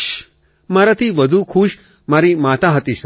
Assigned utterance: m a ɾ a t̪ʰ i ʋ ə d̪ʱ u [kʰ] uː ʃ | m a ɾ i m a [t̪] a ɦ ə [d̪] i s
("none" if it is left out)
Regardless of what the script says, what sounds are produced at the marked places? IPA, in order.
kʰ, t̪, t̪

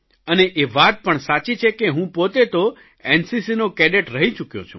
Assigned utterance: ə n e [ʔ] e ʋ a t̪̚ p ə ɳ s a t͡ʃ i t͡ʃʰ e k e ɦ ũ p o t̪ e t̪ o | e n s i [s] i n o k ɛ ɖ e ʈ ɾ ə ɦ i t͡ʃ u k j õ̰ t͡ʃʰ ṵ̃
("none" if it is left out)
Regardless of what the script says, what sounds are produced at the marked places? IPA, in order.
ʔ, s

